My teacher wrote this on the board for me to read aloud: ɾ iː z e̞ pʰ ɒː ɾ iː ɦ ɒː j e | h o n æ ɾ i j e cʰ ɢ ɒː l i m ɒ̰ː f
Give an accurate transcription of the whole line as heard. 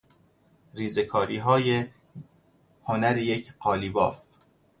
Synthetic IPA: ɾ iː z e̞ kʰ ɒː ɾ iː ɦ ɒː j e | h o n æ ɾ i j e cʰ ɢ ɒː l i b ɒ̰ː f